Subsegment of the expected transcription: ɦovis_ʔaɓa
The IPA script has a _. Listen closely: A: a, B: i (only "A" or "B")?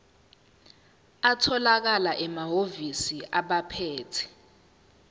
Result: B